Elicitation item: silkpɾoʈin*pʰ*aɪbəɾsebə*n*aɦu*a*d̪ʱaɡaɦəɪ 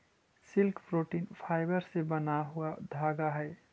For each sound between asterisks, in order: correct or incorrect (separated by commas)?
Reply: correct, correct, correct